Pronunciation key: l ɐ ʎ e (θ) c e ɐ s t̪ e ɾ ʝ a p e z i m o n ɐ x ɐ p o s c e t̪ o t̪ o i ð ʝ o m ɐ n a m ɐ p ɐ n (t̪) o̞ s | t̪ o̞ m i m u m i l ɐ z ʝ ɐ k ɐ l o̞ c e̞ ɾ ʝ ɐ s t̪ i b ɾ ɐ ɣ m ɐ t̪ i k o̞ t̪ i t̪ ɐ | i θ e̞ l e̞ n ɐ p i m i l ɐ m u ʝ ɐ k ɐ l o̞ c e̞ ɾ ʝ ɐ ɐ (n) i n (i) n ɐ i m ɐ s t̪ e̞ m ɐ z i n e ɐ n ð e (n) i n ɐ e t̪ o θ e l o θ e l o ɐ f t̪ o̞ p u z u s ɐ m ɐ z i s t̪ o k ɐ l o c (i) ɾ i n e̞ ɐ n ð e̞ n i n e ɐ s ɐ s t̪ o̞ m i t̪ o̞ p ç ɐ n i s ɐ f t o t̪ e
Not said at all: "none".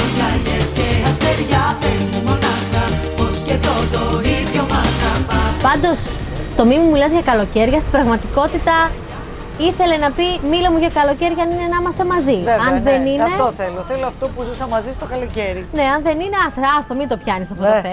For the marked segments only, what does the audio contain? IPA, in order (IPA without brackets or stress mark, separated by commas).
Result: s, d̪, n, e, n, e